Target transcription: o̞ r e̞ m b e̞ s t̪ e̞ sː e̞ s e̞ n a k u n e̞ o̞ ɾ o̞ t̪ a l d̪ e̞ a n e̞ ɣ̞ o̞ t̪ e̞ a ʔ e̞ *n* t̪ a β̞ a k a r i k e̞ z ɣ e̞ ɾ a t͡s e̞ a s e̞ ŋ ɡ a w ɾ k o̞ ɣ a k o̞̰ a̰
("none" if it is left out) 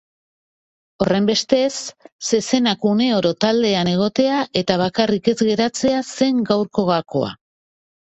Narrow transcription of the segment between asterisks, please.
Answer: none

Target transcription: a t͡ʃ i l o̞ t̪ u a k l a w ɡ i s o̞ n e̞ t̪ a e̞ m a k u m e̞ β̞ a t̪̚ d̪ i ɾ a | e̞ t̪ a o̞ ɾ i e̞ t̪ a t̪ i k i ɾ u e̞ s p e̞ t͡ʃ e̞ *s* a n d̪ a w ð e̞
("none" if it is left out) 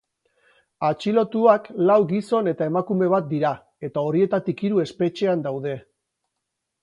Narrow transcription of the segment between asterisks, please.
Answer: none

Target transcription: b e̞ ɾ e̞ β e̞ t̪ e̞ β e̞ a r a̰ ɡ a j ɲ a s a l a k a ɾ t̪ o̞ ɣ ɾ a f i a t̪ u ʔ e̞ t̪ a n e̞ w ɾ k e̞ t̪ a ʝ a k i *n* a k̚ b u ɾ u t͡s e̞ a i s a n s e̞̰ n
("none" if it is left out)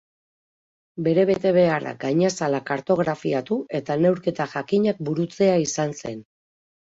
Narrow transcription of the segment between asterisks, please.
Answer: ɲ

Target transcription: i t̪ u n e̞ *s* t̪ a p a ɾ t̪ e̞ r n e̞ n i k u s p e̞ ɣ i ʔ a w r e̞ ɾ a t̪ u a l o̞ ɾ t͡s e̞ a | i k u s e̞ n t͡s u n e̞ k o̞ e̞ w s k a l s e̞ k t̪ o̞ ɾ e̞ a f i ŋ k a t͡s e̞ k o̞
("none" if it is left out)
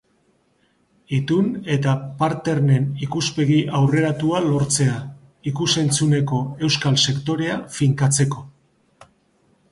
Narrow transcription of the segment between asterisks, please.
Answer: none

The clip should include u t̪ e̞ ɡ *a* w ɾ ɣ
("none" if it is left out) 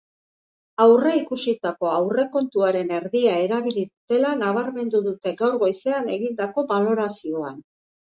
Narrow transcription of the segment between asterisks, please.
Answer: a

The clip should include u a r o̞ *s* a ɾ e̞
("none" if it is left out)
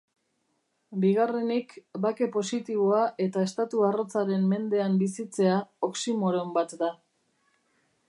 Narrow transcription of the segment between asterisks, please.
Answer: t͡s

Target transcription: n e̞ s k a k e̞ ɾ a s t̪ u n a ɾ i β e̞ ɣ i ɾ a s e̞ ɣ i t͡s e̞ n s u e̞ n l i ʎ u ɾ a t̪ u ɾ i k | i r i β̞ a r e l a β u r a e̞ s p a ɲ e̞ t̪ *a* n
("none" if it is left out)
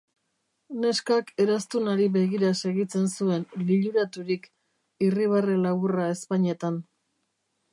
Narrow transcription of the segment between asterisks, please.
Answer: a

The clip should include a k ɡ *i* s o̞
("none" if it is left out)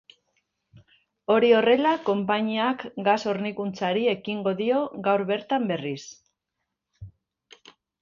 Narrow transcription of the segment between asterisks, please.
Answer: a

